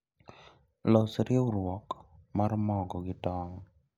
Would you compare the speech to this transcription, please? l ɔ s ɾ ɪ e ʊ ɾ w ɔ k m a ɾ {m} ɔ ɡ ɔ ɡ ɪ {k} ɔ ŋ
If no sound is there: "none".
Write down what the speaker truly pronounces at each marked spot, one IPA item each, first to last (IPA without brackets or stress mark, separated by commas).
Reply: m, t